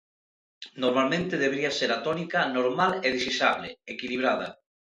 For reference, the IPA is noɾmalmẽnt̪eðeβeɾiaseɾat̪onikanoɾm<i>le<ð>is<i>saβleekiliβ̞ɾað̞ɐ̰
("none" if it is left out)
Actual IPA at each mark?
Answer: a, ð, i

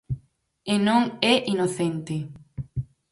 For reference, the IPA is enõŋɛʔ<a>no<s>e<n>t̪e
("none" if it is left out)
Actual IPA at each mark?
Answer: i, θ, n

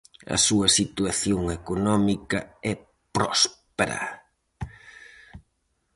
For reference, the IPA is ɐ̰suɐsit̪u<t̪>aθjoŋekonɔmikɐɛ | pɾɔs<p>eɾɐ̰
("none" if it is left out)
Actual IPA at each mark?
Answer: none, p

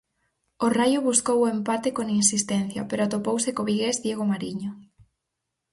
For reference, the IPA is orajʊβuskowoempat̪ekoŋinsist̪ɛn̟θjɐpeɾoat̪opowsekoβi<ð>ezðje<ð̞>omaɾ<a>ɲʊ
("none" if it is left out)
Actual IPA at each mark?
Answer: ɣ, ɣ̞, i

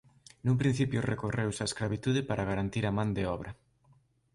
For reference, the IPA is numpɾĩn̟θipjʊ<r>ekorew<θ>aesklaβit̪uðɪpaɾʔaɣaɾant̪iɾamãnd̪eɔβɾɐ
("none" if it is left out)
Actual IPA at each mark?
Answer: r, s

